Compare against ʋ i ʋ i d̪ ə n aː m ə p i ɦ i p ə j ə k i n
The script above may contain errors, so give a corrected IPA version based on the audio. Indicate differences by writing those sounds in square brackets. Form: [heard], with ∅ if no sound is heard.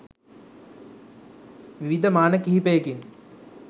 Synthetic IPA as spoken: ʋ i ʋ i d̪ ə [m] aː [n] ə [k] i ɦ i p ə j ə k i n